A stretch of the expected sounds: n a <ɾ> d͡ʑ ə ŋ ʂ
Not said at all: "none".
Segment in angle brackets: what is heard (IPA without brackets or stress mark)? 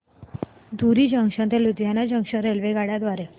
none